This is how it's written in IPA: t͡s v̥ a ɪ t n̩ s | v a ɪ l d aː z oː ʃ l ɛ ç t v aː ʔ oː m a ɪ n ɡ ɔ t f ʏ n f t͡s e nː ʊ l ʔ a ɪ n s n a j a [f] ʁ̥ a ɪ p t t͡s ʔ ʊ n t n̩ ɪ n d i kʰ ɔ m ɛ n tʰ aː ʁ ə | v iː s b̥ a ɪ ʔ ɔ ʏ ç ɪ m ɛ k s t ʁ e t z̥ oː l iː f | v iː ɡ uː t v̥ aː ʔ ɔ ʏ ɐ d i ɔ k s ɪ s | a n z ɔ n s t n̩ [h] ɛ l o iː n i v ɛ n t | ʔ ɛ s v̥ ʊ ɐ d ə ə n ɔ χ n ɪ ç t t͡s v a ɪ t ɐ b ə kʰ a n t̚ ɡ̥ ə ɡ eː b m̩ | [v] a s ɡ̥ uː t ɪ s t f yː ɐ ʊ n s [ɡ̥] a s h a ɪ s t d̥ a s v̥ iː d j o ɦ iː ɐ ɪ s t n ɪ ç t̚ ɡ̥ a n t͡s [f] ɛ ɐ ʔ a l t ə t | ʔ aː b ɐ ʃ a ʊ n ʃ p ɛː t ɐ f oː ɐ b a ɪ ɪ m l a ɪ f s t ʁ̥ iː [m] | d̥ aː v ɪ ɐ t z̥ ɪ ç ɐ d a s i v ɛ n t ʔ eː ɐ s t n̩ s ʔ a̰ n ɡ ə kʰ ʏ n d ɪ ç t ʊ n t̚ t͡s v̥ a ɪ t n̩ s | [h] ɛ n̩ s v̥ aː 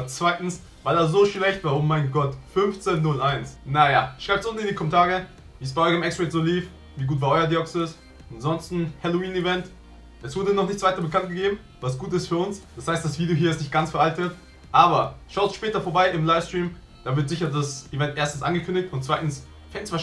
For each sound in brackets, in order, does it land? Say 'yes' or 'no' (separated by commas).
no, yes, yes, no, yes, yes, no